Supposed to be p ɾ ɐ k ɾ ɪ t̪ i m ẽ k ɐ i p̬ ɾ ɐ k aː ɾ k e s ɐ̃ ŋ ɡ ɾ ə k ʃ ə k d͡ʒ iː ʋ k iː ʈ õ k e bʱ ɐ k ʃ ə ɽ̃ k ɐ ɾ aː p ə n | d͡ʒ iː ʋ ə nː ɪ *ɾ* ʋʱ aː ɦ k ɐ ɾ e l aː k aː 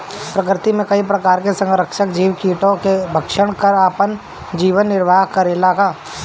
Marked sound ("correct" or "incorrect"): correct